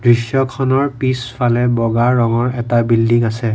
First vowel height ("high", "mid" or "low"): high